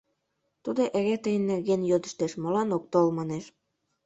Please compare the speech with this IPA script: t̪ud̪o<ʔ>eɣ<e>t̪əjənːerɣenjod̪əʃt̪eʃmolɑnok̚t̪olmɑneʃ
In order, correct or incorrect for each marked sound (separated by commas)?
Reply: correct, correct